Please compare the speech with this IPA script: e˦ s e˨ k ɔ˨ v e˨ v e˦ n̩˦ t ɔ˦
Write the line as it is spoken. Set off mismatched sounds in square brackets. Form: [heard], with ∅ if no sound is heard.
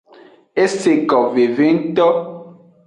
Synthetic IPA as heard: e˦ s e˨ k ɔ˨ v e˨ v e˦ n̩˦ t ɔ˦